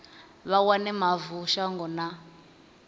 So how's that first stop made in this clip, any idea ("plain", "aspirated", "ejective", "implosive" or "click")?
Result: plain